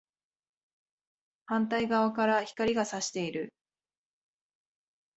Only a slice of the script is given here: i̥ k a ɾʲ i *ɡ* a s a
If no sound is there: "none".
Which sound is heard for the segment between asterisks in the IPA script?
ɡ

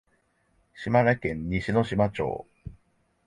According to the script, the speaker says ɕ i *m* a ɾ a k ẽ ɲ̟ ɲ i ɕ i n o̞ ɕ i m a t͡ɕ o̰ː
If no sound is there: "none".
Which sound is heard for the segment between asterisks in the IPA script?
m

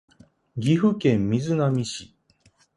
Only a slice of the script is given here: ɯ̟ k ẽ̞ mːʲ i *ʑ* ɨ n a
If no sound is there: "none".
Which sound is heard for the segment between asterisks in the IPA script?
z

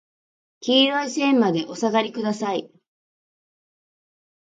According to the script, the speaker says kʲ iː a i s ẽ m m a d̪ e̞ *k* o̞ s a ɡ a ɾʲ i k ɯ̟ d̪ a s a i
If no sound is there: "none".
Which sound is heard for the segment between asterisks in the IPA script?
ʔ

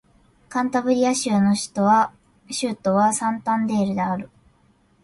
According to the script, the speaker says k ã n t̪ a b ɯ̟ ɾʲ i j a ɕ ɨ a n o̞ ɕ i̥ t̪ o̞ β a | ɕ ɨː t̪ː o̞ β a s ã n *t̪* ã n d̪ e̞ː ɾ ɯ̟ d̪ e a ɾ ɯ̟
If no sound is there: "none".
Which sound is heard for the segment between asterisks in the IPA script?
t̪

